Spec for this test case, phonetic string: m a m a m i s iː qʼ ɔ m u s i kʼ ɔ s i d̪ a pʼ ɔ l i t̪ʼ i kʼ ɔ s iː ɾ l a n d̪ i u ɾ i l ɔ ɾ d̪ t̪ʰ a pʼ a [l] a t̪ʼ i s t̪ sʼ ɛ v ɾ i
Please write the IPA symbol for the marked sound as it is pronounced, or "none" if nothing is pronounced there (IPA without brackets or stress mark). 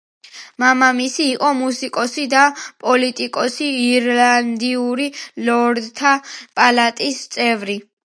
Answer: l